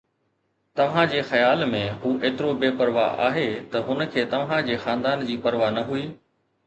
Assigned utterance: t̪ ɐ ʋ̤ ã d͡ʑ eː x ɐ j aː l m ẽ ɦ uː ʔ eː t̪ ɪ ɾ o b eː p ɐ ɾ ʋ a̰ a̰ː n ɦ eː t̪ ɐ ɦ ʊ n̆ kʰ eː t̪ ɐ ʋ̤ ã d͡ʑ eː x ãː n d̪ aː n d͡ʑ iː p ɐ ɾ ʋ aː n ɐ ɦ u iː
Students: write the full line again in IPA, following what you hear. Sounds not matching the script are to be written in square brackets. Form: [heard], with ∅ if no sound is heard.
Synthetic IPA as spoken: t̪ ɐ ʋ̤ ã d͡ʑ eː x ɐ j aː l m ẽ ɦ uː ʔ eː t̪ ɪ ɾ o b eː p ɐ ɾ ʋ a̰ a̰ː [∅] ɦ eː t̪ ɐ ɦ ʊ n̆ kʰ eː t̪ ɐ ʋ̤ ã d͡ʑ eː x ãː n d̪ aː n d͡ʑ iː p ɐ ɾ ʋ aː n ɐ ɦ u iː